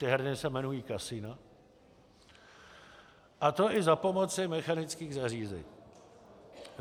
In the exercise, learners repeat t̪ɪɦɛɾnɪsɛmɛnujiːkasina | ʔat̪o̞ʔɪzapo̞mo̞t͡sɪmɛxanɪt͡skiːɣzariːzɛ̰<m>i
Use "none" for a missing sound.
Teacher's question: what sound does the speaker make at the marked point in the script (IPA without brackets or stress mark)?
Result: ɲ